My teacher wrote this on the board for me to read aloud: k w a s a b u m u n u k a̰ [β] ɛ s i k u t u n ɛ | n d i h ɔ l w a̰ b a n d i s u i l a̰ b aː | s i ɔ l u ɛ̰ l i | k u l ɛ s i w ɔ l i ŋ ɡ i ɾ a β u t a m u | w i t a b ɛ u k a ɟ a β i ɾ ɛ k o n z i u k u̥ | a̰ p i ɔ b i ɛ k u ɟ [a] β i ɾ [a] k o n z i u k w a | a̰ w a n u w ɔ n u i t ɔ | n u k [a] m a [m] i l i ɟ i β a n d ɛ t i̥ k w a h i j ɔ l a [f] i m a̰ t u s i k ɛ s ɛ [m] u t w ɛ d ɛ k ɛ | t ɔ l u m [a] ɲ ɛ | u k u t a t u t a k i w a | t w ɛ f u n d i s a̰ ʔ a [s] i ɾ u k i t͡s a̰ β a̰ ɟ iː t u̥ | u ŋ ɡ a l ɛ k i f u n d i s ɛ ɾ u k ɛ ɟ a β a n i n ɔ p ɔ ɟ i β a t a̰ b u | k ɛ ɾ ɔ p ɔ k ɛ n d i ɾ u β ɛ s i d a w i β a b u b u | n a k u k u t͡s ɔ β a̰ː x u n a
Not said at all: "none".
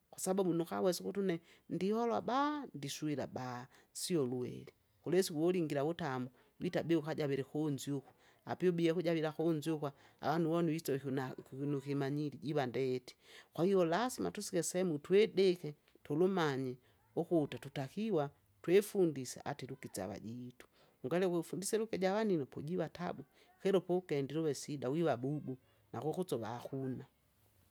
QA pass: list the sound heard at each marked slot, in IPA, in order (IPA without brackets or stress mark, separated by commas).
w, a, a, i, ɲ, s, m, a, t